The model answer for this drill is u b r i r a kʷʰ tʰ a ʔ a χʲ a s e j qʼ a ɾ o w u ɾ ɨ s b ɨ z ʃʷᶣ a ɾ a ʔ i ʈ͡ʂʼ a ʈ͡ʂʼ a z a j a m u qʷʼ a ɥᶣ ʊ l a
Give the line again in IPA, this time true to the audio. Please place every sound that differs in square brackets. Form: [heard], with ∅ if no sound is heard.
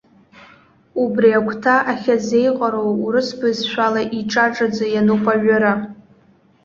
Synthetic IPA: u b r i [∅] a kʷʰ tʰ a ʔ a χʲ a [z] e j qʼ a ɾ o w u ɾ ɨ s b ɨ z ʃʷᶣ a [l] a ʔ i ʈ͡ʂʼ a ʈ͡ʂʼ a [d͡z] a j a [n] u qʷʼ a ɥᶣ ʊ [ɾ] a